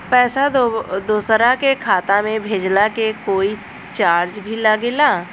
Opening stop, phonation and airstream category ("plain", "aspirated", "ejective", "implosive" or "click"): plain